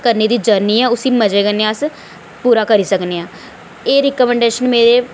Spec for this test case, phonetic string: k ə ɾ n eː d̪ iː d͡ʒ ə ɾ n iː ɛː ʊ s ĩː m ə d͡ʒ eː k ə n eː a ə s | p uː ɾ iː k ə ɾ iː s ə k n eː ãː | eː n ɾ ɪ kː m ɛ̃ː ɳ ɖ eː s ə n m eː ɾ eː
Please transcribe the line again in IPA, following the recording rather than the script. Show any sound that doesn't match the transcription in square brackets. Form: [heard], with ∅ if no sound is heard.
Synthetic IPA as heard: k ə ɾ n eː d̪ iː d͡ʒ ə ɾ n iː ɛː ʊ s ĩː m ə d͡ʒ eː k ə n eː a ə s | p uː ɾ [aː] k ə ɾ iː s ə k n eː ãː | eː [∅] ɾ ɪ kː m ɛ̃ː ɳ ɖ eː [ʃ] ə n m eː ɾ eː